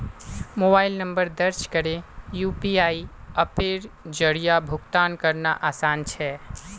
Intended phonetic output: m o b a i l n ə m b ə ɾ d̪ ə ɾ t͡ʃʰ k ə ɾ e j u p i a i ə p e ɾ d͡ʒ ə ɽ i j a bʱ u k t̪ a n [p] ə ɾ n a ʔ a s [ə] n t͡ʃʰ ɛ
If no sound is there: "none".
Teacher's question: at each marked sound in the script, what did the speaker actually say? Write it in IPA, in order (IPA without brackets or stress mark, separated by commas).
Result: k, a